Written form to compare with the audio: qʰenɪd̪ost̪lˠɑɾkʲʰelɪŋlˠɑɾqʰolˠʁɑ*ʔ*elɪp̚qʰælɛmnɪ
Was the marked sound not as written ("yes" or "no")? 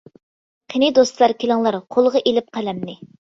no